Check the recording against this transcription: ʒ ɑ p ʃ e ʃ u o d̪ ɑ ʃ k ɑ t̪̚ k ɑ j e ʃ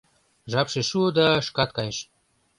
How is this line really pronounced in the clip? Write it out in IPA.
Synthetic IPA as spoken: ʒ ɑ p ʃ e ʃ u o d̪ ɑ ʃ k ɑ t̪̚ k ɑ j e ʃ